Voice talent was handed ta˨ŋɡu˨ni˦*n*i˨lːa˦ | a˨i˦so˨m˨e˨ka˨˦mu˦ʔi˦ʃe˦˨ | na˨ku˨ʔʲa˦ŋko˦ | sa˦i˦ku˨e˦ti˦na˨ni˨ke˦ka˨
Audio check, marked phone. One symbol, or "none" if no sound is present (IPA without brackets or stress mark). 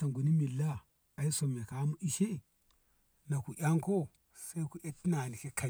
m